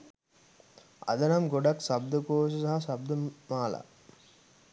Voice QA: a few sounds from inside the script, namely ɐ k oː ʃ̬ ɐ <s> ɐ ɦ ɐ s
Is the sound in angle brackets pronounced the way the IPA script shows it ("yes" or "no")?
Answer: yes